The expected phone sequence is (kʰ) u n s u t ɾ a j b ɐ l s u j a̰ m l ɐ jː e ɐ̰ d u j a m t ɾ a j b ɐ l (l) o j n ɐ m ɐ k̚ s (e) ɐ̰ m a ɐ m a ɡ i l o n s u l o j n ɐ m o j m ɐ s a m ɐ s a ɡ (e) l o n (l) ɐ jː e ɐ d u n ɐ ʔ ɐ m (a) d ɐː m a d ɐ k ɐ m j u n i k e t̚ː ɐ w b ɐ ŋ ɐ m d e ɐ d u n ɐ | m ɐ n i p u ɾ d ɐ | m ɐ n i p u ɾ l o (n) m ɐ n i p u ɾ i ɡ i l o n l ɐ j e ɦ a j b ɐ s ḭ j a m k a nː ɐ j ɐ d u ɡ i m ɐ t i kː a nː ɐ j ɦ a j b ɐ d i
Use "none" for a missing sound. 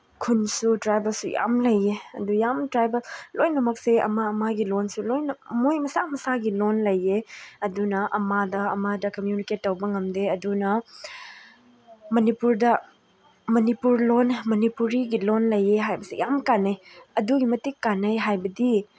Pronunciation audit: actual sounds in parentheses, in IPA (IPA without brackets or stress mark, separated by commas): kʰ, l, e, i, l, a, n